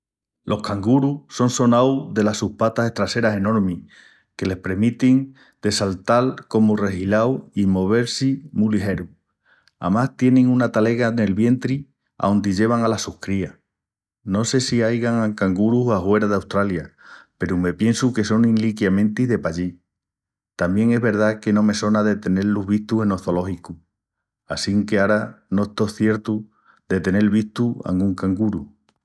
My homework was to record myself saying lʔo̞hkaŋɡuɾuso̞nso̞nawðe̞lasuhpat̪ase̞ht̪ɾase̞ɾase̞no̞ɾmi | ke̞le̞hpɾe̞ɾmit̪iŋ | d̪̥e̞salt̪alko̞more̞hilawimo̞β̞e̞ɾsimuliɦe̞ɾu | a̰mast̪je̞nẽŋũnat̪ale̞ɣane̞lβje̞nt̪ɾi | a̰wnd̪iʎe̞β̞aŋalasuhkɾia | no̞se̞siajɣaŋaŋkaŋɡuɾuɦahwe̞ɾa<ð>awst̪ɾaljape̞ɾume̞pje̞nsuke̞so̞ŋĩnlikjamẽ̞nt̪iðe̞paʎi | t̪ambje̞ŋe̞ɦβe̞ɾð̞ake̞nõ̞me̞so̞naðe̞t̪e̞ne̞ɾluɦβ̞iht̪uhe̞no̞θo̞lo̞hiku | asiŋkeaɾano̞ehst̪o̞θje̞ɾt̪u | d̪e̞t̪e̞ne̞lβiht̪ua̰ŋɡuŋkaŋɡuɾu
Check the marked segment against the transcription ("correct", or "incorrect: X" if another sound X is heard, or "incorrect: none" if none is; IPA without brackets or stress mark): correct